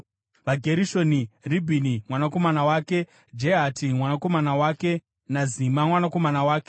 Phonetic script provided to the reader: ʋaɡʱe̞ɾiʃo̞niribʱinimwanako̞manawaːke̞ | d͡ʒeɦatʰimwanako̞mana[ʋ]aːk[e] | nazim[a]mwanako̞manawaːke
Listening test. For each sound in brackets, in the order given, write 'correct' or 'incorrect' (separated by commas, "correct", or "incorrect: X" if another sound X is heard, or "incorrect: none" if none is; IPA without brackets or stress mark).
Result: incorrect: w, correct, correct